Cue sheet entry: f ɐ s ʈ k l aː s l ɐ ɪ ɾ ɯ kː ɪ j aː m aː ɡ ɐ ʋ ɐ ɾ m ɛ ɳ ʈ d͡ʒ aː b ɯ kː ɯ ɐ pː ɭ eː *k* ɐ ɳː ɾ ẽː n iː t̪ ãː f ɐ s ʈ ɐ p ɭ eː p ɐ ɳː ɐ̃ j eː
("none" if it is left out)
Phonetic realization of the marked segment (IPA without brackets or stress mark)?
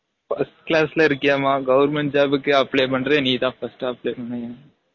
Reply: p